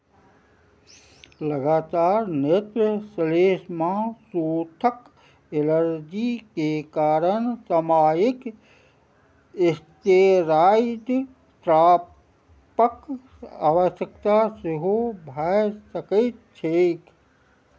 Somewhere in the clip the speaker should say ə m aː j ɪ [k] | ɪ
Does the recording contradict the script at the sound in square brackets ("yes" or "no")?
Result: no